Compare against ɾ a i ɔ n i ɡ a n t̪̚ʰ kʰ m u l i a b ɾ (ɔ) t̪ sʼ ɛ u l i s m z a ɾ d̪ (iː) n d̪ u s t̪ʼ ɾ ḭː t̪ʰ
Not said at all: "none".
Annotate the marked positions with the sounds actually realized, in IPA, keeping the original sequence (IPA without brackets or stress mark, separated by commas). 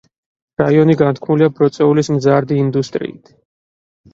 ɔ, iː